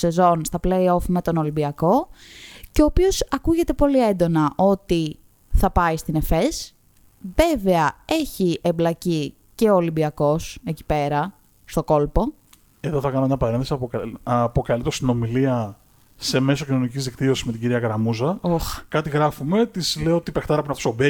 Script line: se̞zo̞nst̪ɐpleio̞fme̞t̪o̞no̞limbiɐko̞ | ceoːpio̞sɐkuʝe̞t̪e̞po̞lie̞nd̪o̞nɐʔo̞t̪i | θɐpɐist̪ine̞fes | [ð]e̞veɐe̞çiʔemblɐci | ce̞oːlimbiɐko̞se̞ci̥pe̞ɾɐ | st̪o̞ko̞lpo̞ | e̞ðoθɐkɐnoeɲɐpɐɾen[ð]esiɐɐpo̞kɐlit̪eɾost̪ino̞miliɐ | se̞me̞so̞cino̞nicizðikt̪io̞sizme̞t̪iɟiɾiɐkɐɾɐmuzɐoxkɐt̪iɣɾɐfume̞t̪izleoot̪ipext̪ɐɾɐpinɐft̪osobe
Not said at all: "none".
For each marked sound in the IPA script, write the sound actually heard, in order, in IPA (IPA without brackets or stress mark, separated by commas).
v, θ